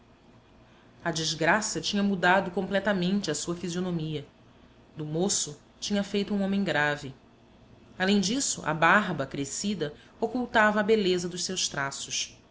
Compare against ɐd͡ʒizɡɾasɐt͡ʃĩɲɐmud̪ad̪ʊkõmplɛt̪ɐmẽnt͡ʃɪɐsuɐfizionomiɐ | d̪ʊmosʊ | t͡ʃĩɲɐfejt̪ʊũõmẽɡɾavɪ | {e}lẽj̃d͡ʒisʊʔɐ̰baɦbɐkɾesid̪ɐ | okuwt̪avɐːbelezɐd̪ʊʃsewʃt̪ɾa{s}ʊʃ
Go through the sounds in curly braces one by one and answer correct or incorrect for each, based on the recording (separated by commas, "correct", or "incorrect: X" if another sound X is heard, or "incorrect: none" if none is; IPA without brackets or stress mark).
incorrect: a, correct